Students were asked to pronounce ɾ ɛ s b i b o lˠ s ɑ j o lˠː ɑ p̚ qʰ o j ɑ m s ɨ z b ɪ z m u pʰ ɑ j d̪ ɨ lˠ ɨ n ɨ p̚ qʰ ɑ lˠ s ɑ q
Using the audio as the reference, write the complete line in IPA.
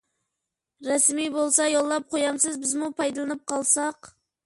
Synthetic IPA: ɾ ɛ s m i b o lˠ s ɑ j o lˠː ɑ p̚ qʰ o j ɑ m s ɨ z b ɪ z m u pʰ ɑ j d̪ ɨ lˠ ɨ n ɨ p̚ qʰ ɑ lˠ s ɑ q

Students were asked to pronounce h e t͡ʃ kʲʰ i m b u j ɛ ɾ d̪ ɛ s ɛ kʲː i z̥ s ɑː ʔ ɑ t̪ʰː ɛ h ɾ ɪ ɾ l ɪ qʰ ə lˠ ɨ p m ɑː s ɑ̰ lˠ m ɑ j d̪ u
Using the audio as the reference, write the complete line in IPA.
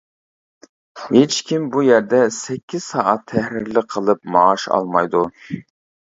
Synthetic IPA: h e t͡ʃ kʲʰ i m b u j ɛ ɾ d̪ ɛ s ɛ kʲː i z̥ s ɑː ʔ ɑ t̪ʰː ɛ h ɾ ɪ ɾ l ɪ qʰ ə lˠ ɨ p m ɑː ʃ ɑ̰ lˠ m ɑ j d̪ u

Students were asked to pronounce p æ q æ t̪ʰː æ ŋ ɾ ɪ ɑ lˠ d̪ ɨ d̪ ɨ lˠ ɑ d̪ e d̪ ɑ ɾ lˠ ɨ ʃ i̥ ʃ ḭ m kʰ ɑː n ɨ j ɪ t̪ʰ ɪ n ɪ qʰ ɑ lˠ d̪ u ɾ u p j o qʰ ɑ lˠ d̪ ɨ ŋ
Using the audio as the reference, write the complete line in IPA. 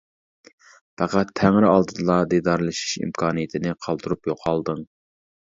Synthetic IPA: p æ q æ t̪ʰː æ ŋ ɾ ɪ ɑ lˠ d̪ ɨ d̪ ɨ lˠ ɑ d̪ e d̪ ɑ ɾ lˠ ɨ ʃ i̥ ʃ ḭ m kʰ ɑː n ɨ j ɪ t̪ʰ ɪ n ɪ qʰ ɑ lˠ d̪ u ɾ u p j o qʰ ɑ lˠ d̪ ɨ ŋ

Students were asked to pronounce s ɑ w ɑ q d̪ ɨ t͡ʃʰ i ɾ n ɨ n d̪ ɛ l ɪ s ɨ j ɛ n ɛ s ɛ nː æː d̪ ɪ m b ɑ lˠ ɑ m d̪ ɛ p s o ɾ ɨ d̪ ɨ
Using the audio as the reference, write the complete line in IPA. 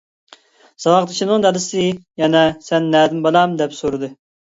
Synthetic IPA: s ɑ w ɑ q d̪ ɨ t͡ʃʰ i n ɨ ŋ d̪ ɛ l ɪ s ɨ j ɛ n ɛ s ɛ nː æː d̪ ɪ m b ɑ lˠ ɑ m d̪ ɛ p s o ɾ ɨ d̪ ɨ

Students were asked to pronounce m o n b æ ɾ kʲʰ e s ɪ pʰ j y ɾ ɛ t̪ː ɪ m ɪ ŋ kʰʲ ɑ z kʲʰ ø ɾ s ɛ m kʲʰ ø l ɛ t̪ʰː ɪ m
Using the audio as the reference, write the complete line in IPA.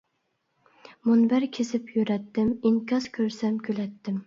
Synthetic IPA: m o n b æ ɾ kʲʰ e s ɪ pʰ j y ɾ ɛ t̪ː ɪ m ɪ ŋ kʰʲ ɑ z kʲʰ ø ɾ s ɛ m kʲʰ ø l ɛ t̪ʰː ɪ m

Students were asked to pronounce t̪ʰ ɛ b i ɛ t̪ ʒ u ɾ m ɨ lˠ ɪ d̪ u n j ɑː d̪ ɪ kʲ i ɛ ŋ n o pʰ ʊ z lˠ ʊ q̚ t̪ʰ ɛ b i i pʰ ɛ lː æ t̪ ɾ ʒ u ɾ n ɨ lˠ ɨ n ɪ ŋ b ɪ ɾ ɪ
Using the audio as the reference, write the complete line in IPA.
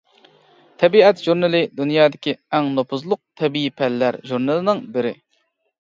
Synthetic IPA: t̪ʰ ɛ b i ɛ t̪ ʒ u ɾ n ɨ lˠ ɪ d̪ u n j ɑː d̪ ɪ kʲ i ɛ ŋ n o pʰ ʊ z lˠ ʊ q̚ t̪ʰ ɛ b i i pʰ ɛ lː æ ɾ ʒ u ɾ n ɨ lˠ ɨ n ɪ ŋ b ɪ ɾ ɪ

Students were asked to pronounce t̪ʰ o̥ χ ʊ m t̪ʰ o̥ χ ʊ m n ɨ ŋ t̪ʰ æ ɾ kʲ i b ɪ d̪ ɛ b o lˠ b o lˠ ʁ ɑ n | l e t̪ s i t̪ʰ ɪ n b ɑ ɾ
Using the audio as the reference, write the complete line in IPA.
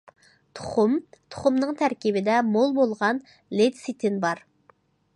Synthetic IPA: t̪ʰ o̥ χ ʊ m t̪ʰ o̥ χ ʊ m n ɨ ŋ t̪ʰ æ ɾ kʲ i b ɪ d̪ ɛ m o lˠ b o lˠ ʁ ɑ n | l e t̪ s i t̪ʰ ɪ n b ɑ ɾ

